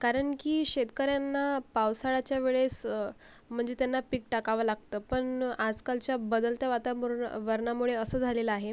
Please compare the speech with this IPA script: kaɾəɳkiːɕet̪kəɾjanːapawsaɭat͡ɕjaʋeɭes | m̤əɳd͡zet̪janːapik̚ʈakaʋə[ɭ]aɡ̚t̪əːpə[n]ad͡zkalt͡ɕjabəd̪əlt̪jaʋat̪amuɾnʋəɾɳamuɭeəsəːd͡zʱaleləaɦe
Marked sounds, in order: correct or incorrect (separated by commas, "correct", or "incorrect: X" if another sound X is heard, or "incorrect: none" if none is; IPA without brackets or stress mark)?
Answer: incorrect: l, incorrect: ɳ